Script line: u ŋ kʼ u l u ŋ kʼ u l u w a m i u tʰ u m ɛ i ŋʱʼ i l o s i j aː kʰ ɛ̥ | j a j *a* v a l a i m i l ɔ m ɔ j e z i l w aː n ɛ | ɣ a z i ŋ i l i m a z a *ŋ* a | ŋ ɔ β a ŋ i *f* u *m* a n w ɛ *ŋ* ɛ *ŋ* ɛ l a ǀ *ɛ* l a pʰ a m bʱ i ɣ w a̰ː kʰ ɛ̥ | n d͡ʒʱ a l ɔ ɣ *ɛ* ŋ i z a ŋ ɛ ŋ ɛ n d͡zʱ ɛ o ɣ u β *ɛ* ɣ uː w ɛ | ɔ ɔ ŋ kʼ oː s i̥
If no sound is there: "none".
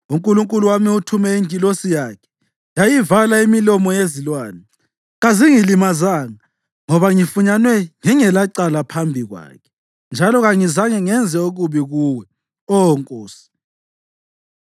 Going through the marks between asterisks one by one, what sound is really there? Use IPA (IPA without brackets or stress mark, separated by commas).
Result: i, ŋ, f, ɲ, ŋ, ŋ, a, a, i